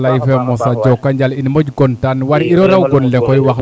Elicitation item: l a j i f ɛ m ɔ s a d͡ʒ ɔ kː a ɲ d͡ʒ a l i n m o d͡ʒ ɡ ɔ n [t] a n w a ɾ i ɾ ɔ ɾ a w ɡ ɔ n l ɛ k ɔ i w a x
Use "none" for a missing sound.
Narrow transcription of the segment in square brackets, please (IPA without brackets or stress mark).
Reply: t